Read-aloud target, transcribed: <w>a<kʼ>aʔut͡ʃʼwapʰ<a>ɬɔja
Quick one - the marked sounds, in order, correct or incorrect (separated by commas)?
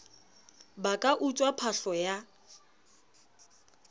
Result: incorrect, correct, correct